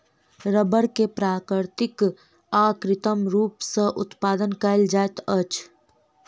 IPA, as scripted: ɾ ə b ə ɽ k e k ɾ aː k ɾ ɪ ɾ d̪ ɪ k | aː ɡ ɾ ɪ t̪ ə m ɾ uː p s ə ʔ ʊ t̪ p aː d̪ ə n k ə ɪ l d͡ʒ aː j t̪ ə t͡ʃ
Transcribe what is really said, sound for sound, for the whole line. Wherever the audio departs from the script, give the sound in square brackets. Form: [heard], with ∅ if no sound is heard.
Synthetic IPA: ɾ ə b ə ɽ k e [p] ɾ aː k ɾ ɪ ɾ [t̪] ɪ k | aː [k] ɾ ɪ t̪ ə m ɾ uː p s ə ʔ ʊ t̪ p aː d̪ ə n k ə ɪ l d͡ʒ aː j t̪ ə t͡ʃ